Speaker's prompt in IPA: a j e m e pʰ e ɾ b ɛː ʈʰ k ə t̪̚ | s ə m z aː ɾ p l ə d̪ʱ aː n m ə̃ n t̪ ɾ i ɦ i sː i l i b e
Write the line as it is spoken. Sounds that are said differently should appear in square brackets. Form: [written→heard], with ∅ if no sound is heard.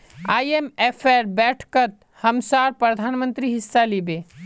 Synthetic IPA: a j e m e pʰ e ɾ b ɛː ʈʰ k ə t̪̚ | [s→h] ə m [z→s] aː ɾ p [l→ɾ] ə d̪ʱ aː n m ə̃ n t̪ ɾ i ɦ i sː [i→a] l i b e